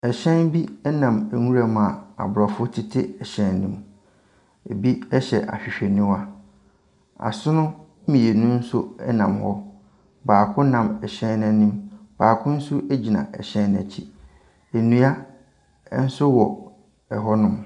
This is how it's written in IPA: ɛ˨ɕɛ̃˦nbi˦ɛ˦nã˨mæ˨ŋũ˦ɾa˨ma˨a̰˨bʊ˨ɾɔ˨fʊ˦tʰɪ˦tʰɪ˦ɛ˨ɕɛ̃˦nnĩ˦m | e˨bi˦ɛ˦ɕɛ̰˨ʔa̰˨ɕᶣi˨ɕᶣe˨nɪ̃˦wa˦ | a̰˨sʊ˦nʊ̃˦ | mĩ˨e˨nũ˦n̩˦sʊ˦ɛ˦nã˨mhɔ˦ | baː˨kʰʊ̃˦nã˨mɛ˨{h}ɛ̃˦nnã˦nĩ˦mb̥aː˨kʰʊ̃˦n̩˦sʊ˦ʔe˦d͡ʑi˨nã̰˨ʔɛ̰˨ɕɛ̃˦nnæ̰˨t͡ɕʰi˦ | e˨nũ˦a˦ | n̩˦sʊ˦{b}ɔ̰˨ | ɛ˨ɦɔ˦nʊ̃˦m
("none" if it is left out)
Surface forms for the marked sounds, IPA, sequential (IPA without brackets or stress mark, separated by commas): ɕ, w